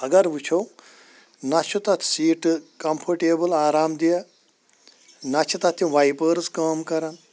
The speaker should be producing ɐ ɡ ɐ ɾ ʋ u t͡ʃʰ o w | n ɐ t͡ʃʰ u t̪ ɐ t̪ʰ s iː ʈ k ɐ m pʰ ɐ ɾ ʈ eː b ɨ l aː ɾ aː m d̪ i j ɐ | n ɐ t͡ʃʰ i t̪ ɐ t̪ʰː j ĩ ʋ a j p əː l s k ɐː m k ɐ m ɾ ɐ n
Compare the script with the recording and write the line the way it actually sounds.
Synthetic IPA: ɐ ɡ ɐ ɾ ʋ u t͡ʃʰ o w | n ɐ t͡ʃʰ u t̪ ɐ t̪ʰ s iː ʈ k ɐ m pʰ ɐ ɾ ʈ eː b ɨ l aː ɾ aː m d̪ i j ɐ | n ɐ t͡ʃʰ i t̪ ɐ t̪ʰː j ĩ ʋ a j p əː ɾ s k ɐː m k ɐ ɾ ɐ n